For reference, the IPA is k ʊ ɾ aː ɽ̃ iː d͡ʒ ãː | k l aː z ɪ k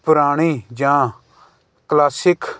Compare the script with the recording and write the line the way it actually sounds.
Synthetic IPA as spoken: p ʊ ɾ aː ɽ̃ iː d͡ʒ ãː | k l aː s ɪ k